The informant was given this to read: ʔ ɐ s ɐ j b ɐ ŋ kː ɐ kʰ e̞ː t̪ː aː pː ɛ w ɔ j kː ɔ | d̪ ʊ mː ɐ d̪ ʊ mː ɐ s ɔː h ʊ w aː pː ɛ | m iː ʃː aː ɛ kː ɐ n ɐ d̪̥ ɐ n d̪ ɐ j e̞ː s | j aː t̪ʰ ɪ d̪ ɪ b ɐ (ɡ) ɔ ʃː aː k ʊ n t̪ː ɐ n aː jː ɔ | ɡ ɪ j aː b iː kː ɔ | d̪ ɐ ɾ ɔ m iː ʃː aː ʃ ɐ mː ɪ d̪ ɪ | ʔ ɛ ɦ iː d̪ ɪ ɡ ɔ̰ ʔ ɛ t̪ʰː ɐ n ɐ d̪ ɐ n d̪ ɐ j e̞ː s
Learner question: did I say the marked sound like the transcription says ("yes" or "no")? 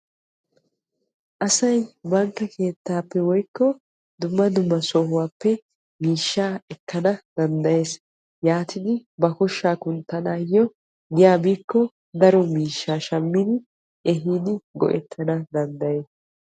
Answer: no